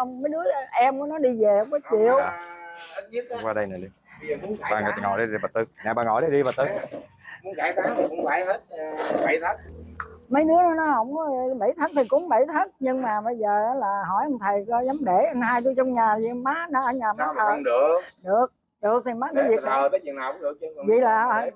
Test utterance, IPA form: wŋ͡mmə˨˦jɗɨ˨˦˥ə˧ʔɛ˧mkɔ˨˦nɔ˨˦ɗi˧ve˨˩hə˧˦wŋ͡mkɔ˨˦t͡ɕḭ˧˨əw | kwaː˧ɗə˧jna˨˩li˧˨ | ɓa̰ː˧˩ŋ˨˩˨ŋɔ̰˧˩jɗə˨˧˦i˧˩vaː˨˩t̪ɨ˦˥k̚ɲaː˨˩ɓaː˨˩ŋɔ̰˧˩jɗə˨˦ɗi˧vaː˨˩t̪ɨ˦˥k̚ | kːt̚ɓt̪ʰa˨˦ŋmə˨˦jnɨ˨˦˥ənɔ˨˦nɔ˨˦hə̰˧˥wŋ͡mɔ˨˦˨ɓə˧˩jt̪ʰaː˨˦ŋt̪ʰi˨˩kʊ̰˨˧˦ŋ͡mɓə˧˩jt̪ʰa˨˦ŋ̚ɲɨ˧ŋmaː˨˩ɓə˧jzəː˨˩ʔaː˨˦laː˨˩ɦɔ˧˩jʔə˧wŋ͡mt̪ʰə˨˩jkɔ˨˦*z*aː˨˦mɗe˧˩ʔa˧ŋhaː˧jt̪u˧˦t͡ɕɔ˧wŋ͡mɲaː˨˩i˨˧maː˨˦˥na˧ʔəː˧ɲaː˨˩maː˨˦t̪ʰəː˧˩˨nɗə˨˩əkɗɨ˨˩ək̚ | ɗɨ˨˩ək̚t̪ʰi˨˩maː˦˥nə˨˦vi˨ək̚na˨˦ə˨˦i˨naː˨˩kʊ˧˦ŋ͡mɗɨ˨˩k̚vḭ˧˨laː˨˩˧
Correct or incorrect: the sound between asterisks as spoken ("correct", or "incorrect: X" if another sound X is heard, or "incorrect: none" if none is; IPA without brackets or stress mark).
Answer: correct